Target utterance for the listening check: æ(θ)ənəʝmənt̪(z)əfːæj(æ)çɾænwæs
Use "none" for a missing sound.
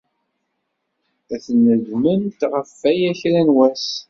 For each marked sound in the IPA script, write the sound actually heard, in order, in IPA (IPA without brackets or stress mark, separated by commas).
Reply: θ, ʁ, æ